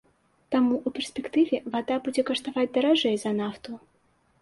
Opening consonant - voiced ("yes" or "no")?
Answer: no